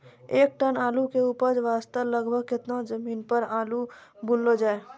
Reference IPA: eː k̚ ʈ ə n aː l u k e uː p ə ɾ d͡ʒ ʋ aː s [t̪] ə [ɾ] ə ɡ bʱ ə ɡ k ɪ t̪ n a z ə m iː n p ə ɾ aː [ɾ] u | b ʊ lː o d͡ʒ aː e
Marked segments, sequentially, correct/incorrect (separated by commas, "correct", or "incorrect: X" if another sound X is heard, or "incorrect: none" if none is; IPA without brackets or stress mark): correct, incorrect: l, incorrect: l